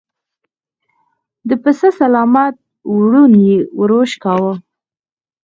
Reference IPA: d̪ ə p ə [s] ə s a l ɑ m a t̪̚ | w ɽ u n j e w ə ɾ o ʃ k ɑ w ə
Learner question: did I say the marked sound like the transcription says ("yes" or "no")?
yes